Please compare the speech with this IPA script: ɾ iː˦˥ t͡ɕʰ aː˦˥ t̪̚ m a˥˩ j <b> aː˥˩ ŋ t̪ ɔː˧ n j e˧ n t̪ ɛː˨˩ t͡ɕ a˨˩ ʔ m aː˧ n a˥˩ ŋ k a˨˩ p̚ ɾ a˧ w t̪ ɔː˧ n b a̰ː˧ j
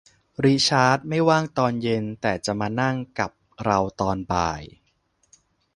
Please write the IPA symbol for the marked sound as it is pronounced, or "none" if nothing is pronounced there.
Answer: w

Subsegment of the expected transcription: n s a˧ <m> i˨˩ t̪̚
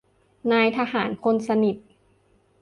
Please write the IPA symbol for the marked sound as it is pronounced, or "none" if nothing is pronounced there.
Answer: n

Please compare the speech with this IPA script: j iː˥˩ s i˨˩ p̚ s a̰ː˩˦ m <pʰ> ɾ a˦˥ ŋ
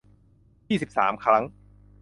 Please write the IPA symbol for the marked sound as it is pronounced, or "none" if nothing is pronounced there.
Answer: kʰ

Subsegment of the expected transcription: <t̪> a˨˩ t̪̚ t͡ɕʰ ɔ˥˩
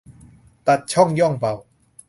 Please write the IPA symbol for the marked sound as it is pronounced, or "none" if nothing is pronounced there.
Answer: t̪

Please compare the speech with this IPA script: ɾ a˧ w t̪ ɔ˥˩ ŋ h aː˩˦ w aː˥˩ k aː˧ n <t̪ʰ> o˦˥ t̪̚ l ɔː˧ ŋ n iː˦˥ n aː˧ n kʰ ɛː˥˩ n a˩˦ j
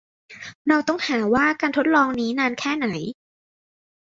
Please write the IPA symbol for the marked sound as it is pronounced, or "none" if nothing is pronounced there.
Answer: t̪ʰ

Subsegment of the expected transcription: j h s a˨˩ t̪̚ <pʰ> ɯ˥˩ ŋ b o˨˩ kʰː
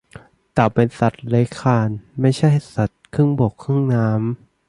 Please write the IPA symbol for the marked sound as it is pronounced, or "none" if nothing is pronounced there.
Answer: kʰ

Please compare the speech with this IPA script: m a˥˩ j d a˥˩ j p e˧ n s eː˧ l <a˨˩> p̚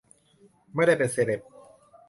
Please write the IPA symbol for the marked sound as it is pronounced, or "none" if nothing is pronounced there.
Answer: e˨˩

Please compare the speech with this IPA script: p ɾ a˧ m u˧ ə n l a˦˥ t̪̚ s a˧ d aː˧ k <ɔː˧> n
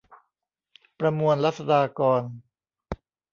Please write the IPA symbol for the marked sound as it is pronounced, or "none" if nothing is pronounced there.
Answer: ɔː˧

